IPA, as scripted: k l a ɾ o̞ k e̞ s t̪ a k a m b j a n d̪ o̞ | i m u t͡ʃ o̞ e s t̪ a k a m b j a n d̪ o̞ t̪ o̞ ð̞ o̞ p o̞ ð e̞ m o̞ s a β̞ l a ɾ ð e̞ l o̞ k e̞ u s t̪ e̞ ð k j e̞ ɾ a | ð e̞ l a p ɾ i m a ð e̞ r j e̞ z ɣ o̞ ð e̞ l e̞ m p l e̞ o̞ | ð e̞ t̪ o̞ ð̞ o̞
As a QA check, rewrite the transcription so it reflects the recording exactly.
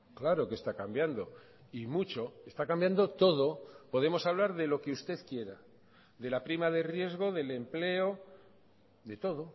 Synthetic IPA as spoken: k l a ɾ o̞ k e̞ s t̪ a k a m b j a n d̪ o̞ | i m u t͡ʃ o̞ e s t̪ a k a m b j a n d̪ o̞ t̪ o̞ ð̞ o̞ p o̞ ð e̞ m o̞ s a β̞ l a ɾ ð e̞ l o̞ k e̞ u s t̪ e̞ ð k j e̞ ɾ a | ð e̞ l a p ɾ i m a ð e̞ r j e̞ z ɣ o̞ ð e̞ l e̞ m p l e̞ o̞ | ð e̞ t̪ o̞ ð̞ o̞